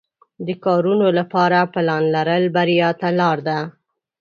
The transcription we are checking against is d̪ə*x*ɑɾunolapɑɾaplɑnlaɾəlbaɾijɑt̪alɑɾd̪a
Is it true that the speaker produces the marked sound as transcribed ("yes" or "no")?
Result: no